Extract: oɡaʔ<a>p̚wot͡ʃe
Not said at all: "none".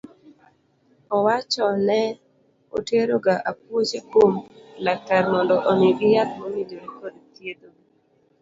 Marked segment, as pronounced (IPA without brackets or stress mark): a